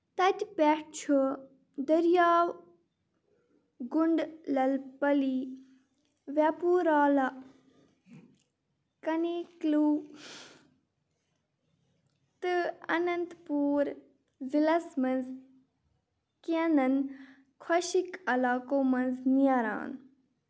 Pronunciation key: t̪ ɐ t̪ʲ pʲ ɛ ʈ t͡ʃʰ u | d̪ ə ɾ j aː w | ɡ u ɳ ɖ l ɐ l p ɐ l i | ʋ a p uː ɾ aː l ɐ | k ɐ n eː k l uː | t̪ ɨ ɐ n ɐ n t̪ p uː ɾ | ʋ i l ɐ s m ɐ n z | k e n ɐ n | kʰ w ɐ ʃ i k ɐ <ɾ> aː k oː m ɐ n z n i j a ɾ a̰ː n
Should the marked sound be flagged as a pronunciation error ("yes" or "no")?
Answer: yes